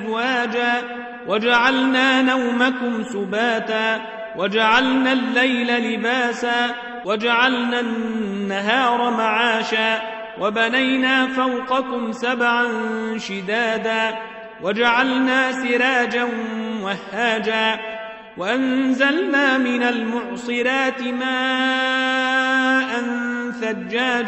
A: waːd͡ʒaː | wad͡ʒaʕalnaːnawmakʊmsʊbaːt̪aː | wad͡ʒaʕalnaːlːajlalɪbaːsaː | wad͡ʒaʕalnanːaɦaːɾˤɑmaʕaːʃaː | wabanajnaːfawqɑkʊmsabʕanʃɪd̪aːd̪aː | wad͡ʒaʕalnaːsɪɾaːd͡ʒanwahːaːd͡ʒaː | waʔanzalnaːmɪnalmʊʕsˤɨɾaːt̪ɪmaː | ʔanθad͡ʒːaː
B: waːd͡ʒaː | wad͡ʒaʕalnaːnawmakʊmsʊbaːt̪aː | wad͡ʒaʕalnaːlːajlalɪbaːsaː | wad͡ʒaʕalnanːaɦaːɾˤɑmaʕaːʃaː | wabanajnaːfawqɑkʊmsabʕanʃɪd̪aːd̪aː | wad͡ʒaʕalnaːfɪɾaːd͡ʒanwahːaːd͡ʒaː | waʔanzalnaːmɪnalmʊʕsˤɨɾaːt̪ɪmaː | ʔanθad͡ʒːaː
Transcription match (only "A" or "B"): A